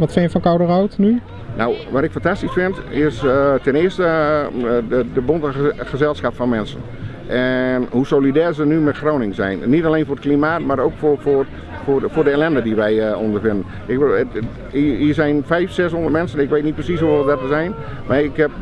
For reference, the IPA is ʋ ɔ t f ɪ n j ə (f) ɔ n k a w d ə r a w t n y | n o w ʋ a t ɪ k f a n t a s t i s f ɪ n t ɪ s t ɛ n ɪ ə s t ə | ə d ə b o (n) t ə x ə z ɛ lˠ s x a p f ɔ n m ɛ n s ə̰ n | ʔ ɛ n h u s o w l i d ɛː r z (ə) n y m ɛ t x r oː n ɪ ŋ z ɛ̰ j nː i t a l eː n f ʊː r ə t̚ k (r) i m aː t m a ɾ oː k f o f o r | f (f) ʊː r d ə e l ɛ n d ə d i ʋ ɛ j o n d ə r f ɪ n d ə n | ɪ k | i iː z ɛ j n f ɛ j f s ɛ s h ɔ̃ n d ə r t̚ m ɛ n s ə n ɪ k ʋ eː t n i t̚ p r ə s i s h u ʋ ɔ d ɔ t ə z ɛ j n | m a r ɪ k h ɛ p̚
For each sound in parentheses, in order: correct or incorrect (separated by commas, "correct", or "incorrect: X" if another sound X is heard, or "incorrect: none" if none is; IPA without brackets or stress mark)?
correct, correct, correct, incorrect: l, correct